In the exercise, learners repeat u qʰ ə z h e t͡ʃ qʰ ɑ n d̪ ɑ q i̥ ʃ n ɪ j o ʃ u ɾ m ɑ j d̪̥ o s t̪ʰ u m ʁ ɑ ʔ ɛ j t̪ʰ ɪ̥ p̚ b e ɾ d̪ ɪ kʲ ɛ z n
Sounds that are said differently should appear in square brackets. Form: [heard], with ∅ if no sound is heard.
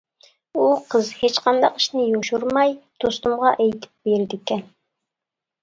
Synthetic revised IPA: u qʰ ə z h e t͡ʃ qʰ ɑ n d̪ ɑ q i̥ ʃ n ɪ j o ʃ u ɾ m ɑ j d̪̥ o s [t̪] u m ʁ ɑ ʔ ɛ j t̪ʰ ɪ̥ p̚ b e ɾ d̪ ɪ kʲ ɛ [∅] n